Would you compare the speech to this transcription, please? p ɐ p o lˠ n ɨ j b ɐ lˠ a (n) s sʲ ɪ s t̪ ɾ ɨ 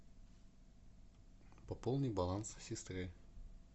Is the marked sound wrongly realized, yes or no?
no